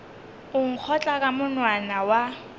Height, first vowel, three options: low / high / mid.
high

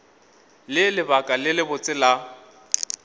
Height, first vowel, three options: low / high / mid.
high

